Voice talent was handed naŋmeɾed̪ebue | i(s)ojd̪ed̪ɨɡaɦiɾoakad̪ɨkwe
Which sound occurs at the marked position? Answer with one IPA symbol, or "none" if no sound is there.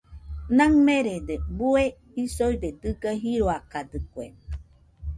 s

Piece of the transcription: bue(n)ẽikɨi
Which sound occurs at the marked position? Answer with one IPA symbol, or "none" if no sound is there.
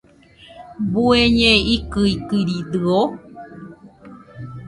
ɲ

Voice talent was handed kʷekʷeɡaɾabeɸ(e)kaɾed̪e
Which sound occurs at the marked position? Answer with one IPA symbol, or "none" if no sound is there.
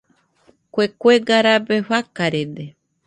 a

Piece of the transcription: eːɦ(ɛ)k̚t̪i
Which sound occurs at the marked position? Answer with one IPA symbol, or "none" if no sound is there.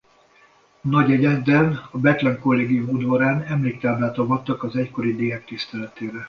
ɛ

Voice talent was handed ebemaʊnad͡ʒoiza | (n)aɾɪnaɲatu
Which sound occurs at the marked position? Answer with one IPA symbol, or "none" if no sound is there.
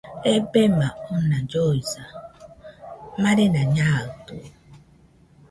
m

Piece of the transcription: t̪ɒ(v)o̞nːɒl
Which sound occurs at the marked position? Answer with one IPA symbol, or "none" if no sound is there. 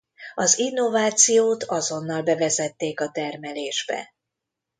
z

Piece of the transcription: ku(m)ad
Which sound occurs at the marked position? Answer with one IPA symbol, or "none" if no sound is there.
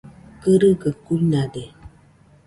n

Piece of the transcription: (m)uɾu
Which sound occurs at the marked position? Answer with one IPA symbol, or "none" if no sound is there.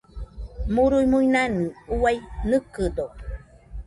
m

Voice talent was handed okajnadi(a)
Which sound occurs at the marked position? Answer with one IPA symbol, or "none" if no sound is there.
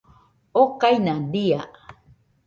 a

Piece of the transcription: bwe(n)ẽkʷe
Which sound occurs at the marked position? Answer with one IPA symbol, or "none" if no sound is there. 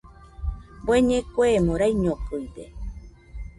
ɲ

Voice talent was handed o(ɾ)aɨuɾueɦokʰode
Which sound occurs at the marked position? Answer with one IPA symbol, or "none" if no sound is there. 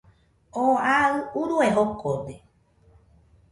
none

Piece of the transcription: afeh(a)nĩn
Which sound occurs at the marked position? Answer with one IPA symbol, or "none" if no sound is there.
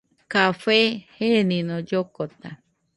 e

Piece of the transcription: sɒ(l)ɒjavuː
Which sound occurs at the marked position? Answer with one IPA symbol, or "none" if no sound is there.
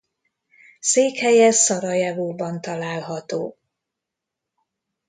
ɾ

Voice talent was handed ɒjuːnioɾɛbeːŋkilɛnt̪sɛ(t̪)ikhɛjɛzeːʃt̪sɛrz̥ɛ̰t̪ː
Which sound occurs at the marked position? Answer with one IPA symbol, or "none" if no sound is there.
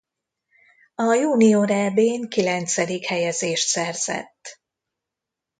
d̪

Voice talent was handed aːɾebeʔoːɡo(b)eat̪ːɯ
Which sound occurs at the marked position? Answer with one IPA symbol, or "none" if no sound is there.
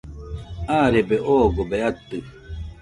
b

